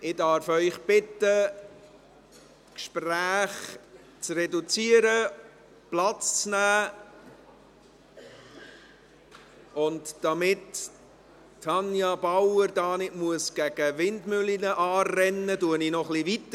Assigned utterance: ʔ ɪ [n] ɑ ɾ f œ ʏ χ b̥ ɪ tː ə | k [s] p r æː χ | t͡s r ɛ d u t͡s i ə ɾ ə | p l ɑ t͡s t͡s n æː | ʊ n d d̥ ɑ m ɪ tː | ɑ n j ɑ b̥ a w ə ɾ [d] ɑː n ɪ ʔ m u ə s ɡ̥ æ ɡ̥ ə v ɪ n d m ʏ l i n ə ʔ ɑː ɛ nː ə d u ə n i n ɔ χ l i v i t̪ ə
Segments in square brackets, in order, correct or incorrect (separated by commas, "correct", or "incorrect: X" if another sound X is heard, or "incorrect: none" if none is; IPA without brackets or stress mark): incorrect: d, incorrect: ʃ, correct